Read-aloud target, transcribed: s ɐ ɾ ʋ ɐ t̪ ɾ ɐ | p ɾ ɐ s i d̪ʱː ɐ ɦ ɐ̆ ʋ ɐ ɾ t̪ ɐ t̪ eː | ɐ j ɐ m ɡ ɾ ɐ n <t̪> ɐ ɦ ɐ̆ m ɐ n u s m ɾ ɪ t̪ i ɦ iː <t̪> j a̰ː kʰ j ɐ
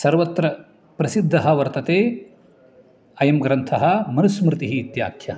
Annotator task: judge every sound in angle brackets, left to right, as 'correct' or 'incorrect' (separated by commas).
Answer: incorrect, correct